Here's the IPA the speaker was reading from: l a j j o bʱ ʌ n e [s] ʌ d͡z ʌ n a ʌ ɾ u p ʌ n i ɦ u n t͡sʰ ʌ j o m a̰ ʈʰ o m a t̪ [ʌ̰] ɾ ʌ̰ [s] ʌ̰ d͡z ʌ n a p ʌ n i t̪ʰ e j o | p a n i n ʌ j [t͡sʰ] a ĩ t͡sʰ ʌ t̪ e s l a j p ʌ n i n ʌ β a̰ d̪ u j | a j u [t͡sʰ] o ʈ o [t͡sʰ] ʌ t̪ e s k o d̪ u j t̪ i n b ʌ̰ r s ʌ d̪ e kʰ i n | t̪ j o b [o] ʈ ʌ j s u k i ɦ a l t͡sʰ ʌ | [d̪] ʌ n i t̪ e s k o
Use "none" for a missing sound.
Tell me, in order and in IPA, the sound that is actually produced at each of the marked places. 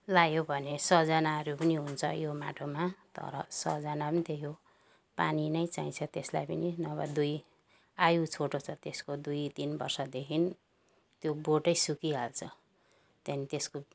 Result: s, ʌ̰, s, t͡s, t͡sʰ, t͡sʰ, o, t̪

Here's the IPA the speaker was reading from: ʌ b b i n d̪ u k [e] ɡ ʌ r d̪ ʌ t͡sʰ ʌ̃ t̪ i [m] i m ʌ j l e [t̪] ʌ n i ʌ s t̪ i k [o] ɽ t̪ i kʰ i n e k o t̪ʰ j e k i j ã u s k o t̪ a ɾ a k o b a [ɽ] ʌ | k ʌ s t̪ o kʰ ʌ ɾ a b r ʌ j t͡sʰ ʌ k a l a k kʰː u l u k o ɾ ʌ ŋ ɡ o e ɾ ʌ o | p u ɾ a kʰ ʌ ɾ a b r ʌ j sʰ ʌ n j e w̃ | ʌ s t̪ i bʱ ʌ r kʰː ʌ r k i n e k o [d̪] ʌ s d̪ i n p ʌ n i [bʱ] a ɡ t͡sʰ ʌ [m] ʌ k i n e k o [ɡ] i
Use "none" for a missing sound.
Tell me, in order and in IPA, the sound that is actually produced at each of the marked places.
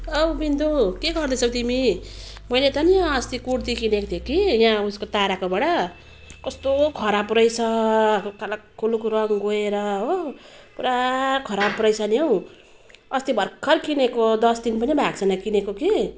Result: e, m, t̪, u, ɽ, d̪, bʱ, n, k

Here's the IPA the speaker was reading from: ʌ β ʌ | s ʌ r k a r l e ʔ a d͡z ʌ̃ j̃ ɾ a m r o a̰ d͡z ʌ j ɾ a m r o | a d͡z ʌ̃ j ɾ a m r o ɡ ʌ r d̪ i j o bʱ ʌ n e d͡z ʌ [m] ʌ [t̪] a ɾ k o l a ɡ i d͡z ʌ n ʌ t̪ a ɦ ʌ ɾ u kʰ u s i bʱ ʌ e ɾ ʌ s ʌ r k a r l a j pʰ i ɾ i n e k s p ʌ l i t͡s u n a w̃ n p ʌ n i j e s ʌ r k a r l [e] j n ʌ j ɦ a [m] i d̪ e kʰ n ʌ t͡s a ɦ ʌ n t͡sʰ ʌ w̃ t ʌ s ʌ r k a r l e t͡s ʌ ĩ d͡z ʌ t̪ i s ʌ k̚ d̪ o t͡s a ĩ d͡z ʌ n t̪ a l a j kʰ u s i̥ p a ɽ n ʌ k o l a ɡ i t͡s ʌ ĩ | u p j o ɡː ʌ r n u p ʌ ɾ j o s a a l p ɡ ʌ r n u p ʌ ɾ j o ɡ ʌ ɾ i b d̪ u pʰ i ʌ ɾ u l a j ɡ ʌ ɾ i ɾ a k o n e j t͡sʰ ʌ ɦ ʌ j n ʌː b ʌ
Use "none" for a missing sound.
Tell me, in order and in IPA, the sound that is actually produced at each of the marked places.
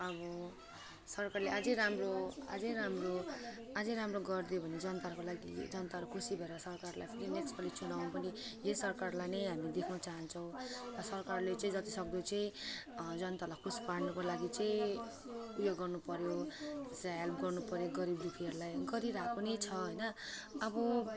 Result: n, t̪, a, m

